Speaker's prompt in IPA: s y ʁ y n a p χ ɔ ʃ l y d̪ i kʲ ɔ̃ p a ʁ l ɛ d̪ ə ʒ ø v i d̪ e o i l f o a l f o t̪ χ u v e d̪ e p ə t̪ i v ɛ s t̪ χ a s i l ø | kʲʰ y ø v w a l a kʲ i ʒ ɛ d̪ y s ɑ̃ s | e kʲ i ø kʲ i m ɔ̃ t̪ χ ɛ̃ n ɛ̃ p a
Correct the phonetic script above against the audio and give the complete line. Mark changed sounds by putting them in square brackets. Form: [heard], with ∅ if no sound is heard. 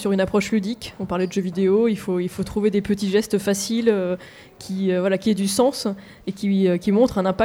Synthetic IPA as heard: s y ʁ y n a p χ ɔ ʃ l y d̪ i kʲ ɔ̃ p a ʁ l ɛ d̪ ə ʒ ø v i d̪ e o i l f o [i] l f o t̪ χ u v e d̪ e p ə t̪ i [ʒ] ɛ s t̪ [f] a s i l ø | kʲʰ [i] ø v w a l a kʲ i [∅] ɛ d̪ y s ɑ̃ s | e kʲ i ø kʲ i m ɔ̃ t̪ χ ɛ̃ n ɛ̃ p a